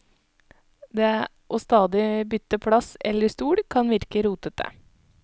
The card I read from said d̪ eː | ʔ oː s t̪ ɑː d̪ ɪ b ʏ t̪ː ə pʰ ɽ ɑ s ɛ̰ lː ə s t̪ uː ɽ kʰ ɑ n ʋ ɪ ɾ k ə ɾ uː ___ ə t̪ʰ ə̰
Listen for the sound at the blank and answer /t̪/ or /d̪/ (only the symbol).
t̪